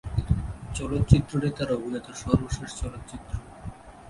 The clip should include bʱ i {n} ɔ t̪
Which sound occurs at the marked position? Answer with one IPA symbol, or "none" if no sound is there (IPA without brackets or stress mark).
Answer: n